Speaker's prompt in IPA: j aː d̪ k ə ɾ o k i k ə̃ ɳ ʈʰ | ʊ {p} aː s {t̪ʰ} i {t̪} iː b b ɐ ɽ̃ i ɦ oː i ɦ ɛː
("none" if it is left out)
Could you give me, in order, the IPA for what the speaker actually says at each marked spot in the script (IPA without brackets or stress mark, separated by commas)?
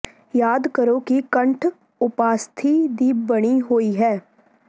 p, t̪ʰ, d̪